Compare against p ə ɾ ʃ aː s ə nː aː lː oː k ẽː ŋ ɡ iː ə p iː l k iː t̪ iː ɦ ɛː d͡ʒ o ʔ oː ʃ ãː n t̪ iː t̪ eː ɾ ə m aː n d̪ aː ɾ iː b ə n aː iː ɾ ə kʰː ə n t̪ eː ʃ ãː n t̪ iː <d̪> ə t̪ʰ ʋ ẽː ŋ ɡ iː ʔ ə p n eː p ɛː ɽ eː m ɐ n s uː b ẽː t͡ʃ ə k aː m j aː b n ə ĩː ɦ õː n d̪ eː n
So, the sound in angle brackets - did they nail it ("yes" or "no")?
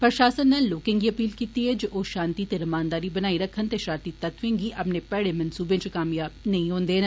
no